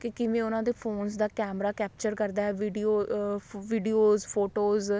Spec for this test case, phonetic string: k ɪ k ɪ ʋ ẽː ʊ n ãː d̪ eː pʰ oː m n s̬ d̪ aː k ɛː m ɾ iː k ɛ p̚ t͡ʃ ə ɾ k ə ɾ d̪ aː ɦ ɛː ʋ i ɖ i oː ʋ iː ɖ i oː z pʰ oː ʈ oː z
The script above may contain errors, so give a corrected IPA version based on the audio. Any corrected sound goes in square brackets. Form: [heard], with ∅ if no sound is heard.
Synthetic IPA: k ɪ k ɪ ʋ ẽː ʊ n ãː d̪ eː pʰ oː [∅] n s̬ d̪ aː k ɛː m ɾ [aː] k [ɛː] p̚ t͡ʃ ə ɾ k ə ɾ d̪ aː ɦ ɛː ʋ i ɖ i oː ʋ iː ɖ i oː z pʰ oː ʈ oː z